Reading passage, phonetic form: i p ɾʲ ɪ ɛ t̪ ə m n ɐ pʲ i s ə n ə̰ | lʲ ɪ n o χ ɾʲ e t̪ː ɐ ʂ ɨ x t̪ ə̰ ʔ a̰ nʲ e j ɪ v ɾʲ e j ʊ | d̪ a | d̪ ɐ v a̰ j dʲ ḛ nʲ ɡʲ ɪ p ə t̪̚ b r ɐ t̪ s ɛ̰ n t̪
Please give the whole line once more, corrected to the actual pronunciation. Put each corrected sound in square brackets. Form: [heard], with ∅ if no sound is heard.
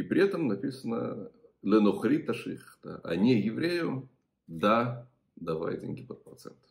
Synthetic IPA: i p ɾʲ ɪ ɛ t̪ ə m n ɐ pʲ i s ə n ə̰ | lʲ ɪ n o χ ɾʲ [i] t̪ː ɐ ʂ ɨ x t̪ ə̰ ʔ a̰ nʲ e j ɪ v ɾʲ e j ʊ | d̪ a | d̪ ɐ v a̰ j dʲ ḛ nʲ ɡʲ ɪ p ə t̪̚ [p] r ɐ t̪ s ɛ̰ n t̪